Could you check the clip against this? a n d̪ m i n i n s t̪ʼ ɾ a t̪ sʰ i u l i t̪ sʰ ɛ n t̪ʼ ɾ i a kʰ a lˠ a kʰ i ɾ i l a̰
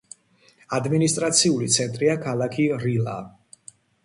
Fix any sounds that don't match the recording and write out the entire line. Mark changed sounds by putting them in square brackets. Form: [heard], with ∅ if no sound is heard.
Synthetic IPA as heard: a [∅] d̪ m i n i [∅] s t̪ʼ ɾ a t̪ sʰ i u l i t̪ sʰ ɛ n t̪ʼ ɾ i a kʰ a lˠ a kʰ i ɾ i l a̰